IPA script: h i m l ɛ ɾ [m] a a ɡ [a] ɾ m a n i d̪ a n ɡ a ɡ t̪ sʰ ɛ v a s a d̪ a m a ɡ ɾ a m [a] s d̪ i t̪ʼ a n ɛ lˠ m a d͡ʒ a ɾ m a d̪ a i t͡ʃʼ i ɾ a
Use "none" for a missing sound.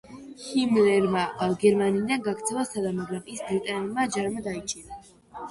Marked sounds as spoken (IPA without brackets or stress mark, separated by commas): m, ɛ, i